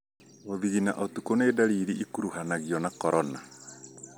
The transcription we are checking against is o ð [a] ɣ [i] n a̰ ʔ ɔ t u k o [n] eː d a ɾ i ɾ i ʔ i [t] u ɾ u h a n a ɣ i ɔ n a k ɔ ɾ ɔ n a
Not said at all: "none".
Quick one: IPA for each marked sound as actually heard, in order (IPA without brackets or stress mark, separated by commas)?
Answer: i, i, n, k